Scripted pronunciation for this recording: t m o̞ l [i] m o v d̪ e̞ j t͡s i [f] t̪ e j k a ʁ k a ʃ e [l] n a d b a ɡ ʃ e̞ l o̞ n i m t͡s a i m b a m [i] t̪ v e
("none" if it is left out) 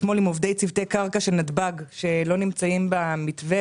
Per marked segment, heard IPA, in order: i, v, l, i

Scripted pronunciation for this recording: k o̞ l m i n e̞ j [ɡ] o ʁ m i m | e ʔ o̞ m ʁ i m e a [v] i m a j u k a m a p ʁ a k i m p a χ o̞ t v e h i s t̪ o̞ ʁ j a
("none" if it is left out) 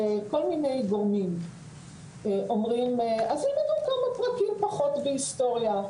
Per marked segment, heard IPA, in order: ɡ, z

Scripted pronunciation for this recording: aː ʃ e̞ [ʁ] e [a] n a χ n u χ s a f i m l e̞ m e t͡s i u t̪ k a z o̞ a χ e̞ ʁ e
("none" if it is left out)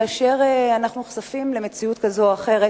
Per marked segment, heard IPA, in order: ʁ, a

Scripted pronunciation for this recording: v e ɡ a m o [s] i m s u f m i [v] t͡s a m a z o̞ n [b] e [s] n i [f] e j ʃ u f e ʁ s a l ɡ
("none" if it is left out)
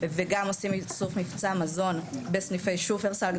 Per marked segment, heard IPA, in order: s, f, b, s, f

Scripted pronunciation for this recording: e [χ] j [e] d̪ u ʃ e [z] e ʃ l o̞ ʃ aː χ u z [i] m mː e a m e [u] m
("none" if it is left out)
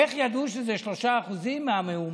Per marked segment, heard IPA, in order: χ, a, z, i, u

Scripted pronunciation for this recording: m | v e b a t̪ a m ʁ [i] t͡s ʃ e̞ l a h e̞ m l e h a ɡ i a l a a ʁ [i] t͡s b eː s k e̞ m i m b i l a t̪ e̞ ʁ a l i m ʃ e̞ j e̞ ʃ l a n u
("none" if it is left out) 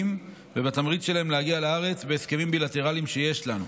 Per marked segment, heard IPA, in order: i, e

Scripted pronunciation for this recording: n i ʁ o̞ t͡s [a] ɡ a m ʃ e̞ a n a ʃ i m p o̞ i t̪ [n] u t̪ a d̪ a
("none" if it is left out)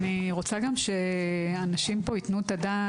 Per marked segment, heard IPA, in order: a, n

